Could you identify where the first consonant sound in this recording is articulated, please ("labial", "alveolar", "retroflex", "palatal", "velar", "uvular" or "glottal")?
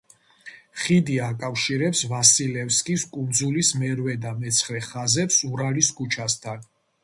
uvular